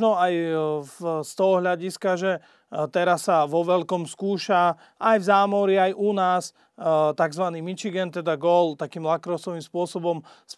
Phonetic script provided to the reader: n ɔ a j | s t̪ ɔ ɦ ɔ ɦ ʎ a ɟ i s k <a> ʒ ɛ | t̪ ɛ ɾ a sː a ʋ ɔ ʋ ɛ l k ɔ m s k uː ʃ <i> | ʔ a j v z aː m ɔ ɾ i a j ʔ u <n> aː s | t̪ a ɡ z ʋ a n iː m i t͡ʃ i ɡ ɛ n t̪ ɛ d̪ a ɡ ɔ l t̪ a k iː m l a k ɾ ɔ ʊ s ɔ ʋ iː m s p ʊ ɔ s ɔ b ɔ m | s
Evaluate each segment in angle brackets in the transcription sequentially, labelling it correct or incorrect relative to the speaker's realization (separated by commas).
correct, incorrect, correct